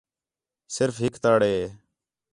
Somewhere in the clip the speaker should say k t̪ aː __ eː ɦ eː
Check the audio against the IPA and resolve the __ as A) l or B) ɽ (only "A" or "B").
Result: B